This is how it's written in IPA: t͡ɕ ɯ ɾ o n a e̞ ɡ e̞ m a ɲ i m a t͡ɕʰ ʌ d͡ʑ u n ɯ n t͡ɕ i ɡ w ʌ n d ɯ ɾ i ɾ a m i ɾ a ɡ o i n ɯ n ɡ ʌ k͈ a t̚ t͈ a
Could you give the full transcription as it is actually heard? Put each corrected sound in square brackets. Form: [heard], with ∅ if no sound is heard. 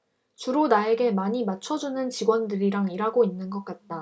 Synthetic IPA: t͡ɕ [u] ɾ o n a e̞ ɡ e̞ m a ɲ i m a t͡ɕʰ ʌ d͡ʑ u n ɯ n t͡ɕ i ɡ w ʌ n d ɯ ɾ i ɾ a [ŋ] i ɾ a ɡ o i [nː] ɯ n ɡ ʌ k͈ a t̚ t͈ a